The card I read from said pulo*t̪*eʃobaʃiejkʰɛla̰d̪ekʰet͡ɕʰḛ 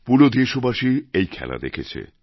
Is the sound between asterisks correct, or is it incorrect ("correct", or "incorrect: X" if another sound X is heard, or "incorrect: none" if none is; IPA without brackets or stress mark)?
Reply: incorrect: d̪